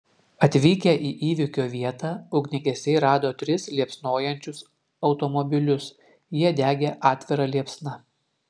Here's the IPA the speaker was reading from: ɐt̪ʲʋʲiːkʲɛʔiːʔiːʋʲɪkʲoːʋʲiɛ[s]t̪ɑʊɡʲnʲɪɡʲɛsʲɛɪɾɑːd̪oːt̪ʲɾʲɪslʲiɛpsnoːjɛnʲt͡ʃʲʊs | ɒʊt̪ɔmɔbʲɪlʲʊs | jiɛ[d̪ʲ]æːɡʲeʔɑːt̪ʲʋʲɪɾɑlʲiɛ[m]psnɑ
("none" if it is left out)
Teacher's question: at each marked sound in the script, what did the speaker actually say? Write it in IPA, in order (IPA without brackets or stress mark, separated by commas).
none, d̪ʲ, none